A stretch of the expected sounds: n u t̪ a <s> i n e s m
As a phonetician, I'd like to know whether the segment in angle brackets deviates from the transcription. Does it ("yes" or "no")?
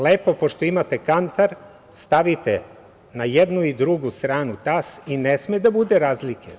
no